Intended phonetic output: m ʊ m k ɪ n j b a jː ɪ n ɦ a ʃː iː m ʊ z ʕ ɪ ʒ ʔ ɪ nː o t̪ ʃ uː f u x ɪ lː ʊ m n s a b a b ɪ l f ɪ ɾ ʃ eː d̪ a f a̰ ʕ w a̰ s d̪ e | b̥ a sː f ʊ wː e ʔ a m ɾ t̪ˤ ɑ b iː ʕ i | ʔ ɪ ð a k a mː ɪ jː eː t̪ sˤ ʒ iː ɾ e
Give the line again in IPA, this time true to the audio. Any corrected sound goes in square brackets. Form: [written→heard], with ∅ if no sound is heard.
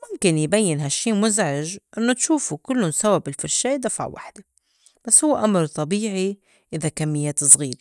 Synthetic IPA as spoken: m ʊ m k ɪ n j b a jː ɪ n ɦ a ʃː iː m ʊ z ʕ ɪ ʒ ʔ ɪ nː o t̪ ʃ uː f u [x→k] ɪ lː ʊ [m→∅] n s a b a b ɪ l f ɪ ɾ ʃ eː d̪ a f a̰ ʕ w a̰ [s→ħ] d̪ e | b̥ a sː [f→h] ʊ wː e ʔ a m ɾ t̪ˤ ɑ b iː ʕ i | ʔ ɪ ð a k a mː ɪ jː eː t̪ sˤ [ʒ→ɣ] iː ɾ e